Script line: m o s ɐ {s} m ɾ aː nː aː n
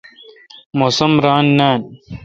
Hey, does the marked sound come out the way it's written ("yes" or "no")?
no